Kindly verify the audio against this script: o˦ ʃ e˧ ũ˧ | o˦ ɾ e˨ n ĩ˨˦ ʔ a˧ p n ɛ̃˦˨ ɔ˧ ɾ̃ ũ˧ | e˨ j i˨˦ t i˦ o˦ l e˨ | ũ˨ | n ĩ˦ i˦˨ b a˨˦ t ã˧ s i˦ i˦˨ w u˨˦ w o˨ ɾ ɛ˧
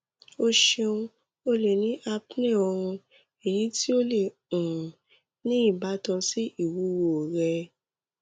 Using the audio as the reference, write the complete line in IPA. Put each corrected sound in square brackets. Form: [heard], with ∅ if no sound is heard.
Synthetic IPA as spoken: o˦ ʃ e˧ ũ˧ | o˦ [l] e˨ n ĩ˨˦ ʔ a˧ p n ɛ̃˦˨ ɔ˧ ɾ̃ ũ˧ | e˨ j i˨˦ t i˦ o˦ l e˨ | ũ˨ | n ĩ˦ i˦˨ b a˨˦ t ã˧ s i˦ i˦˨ w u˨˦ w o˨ ɾ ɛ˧